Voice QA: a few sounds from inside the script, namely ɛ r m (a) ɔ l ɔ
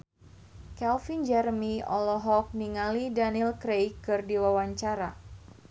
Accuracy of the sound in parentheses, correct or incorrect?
incorrect: i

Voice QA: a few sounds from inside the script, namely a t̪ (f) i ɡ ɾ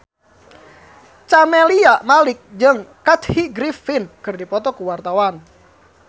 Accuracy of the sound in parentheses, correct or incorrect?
incorrect: h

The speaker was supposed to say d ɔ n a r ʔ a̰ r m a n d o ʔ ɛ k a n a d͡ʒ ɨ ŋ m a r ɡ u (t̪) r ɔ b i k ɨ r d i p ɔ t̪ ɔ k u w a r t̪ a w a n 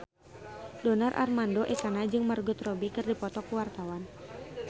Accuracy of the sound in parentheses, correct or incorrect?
correct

